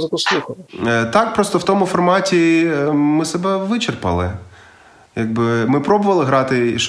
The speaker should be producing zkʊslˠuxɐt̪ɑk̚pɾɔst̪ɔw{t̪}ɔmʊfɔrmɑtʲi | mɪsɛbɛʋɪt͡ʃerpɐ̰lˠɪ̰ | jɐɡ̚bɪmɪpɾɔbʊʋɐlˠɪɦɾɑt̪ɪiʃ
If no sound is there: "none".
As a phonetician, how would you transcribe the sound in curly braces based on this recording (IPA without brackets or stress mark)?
t̪